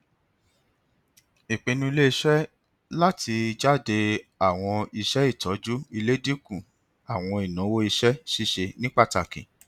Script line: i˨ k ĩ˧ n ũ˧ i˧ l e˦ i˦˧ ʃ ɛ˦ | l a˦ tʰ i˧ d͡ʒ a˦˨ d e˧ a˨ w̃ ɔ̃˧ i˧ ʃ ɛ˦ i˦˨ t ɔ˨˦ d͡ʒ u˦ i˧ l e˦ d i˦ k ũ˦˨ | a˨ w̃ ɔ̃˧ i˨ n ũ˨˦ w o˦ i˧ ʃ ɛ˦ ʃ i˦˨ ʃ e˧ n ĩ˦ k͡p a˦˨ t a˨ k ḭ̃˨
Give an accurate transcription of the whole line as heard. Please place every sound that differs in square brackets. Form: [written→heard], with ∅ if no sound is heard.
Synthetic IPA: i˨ [k→k͡p] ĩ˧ n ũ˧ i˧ l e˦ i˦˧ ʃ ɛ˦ | l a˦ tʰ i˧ d͡ʒ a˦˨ d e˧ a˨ w̃ ɔ̃˧ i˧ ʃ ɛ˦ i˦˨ t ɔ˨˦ d͡ʒ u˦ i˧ l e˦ d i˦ k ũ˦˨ | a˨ w̃ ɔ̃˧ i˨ n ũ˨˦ w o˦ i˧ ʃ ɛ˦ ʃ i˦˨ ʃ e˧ n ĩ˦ k͡p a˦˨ t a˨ k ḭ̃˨